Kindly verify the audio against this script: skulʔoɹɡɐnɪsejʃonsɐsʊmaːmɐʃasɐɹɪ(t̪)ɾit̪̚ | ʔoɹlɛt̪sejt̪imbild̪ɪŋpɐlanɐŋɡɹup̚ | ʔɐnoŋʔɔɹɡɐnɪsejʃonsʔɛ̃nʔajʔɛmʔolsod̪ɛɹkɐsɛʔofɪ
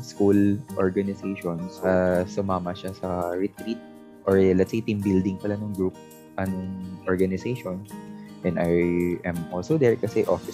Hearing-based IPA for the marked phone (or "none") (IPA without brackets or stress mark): t̪